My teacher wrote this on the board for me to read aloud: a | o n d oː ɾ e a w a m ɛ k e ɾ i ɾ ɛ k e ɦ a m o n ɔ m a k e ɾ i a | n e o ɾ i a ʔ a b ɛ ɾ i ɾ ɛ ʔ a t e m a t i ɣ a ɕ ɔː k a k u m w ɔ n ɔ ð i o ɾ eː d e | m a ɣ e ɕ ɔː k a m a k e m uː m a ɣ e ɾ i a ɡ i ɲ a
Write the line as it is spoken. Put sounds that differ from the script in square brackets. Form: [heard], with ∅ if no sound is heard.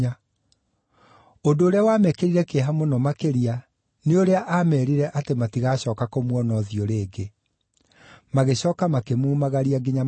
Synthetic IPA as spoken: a | o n d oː ɾ e a w a m ɛ k e ɾ i ɾ ɛ k e ɦ a m o n ɔ m a k e ɾ i a | n e o ɾ [e] a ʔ a [m] ɛ ɾ i ɾ ɛ ʔ a t e m a t i ɣ a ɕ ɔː k a k [o] m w ɔ n ɔ ð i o ɾ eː [ɡ] e | m a ɣ e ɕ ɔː k a m a k e m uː m a ɣ [a] ɾ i a ɡ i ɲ a